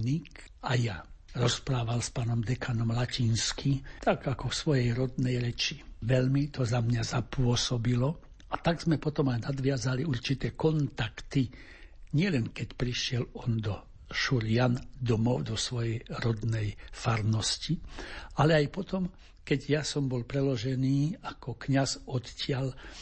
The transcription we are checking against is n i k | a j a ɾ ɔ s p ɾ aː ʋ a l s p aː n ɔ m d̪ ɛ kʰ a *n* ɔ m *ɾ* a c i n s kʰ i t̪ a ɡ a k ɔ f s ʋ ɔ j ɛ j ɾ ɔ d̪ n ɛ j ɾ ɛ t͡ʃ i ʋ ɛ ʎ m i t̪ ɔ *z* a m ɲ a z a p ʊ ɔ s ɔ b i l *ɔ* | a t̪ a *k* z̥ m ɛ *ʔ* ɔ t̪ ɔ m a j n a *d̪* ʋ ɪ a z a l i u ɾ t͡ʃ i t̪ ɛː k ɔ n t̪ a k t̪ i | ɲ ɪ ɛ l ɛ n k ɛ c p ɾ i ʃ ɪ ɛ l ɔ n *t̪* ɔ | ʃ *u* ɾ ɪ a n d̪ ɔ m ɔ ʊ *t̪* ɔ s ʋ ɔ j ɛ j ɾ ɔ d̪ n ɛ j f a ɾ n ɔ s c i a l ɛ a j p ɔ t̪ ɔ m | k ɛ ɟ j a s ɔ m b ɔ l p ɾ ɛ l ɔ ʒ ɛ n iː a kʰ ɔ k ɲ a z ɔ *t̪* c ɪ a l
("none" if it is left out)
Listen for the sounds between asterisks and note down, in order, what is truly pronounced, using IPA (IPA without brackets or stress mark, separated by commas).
n, l, z, ɔ, ɡ, p, d̪, d̪, u, d̪, t̪